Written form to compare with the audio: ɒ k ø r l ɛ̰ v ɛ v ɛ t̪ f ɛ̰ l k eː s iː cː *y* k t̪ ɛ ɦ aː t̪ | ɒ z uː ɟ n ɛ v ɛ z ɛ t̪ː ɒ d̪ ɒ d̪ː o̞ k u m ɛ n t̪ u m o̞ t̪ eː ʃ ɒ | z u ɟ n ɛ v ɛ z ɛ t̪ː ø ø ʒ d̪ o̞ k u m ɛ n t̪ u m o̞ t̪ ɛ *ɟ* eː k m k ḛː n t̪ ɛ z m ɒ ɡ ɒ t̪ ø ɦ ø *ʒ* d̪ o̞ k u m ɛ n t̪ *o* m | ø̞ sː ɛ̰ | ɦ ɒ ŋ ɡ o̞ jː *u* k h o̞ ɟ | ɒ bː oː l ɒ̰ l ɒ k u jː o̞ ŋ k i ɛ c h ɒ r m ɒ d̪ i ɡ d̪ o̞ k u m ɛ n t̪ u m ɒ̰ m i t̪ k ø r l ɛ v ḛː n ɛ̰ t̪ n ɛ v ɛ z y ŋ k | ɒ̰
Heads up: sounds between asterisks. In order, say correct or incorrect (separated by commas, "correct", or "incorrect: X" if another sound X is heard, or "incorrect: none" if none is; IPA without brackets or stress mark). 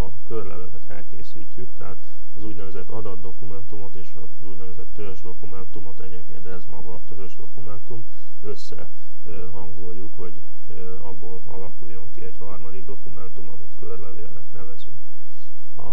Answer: correct, correct, correct, incorrect: u, correct